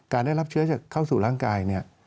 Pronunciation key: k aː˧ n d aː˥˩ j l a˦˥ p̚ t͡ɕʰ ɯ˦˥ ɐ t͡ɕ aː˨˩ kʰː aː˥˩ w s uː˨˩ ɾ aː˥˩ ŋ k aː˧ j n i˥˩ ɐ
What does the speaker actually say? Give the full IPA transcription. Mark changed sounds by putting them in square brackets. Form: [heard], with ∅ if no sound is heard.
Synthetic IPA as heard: k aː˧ n d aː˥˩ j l a˦˥ p̚ t͡ɕʰ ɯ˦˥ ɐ t͡ɕ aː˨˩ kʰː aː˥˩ w s uː˨˩ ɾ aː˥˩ ŋ k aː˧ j n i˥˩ ɐ